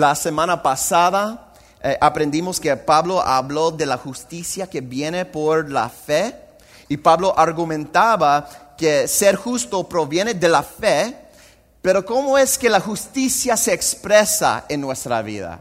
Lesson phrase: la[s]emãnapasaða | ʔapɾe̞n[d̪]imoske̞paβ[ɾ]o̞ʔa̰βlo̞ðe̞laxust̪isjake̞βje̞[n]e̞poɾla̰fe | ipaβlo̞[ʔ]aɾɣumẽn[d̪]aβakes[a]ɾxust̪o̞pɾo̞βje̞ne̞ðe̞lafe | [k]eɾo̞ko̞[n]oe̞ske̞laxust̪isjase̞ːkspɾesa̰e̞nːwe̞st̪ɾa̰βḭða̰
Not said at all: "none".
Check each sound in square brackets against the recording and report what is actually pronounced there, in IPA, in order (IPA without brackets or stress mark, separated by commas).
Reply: s, d̪, l, n, ʔ, t̪, e, p, m